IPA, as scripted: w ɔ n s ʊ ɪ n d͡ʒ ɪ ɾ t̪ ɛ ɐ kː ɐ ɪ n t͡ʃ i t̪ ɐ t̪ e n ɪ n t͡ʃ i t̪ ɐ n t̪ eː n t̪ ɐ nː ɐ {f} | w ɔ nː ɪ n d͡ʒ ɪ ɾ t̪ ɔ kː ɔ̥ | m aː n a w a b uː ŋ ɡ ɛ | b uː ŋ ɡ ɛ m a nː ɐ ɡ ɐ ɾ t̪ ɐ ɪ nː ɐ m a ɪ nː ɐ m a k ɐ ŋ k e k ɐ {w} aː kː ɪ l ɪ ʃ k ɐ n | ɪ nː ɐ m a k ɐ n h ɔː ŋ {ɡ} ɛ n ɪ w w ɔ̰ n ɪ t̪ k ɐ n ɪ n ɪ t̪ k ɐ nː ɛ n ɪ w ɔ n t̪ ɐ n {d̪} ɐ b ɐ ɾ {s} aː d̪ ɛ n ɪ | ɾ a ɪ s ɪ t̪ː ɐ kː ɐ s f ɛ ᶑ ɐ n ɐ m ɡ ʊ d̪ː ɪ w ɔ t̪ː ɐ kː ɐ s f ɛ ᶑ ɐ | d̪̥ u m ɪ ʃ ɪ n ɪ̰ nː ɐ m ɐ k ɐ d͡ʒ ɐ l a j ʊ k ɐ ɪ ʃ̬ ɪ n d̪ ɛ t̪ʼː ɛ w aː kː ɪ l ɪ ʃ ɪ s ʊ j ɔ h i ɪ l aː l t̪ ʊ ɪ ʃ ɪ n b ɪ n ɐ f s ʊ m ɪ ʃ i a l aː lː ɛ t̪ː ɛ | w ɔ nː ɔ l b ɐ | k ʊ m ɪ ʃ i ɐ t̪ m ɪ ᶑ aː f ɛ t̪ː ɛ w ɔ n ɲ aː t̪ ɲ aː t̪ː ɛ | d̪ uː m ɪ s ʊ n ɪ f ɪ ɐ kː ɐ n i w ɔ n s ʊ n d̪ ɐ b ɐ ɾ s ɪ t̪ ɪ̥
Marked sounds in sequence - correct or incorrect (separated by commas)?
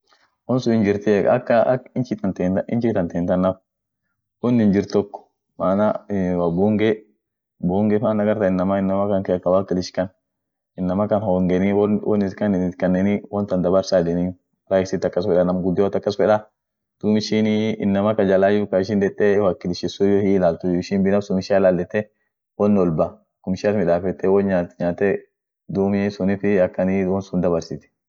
correct, correct, correct, correct, correct